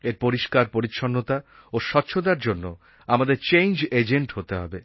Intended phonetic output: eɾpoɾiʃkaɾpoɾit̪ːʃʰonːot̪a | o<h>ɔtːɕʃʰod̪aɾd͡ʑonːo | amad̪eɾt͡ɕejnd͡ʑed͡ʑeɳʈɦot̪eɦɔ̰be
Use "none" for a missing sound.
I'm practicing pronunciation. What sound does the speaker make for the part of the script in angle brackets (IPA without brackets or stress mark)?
ʃ